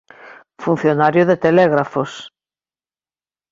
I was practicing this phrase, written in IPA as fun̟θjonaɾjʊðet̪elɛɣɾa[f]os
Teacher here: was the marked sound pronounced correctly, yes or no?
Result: yes